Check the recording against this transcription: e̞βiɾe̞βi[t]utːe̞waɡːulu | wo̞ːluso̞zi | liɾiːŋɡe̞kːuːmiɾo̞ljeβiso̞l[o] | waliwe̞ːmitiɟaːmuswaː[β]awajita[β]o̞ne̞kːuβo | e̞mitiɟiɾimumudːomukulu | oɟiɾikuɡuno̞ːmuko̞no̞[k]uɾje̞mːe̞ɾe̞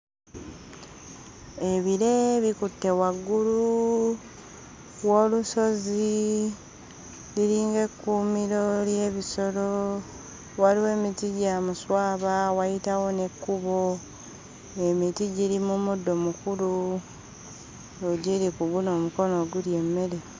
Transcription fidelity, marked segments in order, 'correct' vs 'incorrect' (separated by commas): incorrect, correct, correct, incorrect, incorrect